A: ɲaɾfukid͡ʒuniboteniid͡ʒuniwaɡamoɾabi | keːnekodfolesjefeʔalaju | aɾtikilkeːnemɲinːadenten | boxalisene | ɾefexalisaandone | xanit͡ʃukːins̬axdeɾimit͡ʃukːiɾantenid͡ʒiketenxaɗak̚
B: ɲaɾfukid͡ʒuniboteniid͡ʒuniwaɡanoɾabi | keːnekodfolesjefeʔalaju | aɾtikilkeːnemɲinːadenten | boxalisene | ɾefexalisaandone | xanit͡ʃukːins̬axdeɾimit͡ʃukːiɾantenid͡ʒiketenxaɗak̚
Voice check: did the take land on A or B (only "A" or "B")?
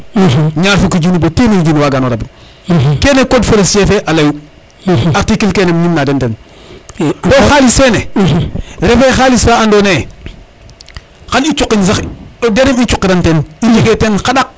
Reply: B